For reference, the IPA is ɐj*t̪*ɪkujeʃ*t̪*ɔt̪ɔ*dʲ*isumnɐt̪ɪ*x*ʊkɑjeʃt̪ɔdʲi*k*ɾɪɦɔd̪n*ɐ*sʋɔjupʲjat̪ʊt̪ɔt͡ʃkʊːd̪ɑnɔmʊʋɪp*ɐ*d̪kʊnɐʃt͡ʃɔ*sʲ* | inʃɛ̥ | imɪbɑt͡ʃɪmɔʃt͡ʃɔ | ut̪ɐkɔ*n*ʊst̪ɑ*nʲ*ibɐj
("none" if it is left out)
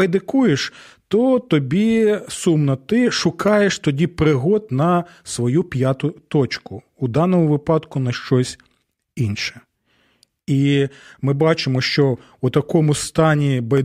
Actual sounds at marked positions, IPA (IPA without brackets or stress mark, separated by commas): d̪, t̪, bʲ, ʃ, p, ɐ, ɑ, sʲ, m, nʲ